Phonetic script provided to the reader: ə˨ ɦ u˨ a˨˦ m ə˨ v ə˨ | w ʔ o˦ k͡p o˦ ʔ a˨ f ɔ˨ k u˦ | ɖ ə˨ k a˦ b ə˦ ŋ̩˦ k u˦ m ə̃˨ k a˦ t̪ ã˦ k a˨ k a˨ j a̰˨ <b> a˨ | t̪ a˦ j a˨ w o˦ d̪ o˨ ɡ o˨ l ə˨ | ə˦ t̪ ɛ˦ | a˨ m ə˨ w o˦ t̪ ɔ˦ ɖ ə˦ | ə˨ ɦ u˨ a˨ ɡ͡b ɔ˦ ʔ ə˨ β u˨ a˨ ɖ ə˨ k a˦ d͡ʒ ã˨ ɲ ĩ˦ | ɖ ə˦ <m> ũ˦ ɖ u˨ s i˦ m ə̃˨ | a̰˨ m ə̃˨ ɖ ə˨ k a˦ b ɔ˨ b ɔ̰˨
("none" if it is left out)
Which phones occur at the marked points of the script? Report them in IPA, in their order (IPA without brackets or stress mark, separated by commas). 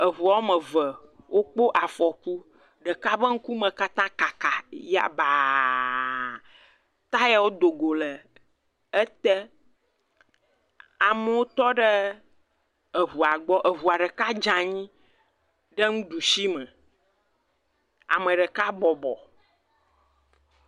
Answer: b, ŋ